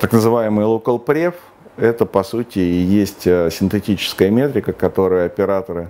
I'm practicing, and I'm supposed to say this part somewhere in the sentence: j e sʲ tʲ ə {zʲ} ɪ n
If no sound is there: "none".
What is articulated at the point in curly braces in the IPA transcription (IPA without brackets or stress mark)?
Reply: sʲ